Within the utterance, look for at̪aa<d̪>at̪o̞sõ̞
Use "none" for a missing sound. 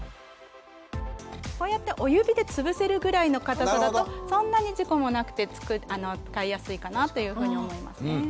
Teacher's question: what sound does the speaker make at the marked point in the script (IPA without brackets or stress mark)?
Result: d̪